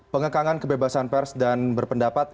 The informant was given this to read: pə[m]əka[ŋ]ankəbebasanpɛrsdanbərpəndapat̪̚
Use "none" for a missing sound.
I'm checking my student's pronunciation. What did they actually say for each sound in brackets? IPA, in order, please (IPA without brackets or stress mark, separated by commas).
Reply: ŋ, ŋ